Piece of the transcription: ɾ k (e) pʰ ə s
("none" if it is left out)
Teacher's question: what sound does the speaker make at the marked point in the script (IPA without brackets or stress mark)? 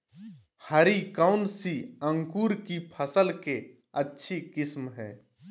i